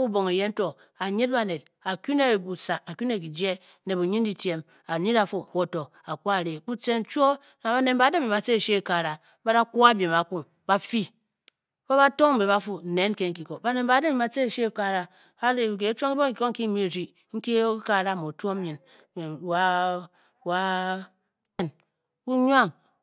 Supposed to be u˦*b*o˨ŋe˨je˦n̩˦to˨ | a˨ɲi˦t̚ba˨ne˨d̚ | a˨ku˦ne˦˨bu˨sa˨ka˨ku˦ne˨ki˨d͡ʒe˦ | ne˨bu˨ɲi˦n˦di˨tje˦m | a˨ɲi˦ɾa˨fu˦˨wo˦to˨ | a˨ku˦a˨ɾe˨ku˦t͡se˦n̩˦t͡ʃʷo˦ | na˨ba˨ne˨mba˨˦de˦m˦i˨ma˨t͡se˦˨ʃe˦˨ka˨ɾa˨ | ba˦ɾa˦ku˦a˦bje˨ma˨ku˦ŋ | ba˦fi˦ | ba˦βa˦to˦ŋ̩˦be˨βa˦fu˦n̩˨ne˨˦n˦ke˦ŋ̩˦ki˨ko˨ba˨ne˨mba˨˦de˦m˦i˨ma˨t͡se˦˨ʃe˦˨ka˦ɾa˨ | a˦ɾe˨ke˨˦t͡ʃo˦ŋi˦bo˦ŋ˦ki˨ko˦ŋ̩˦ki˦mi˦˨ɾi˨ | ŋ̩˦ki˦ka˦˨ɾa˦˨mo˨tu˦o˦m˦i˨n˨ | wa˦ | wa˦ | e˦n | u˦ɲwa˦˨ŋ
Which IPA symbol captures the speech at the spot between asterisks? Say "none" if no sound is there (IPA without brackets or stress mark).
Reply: b